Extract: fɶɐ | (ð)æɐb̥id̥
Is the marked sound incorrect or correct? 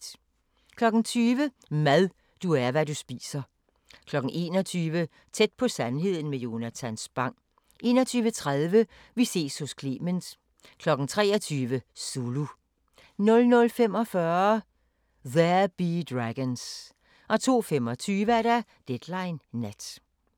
correct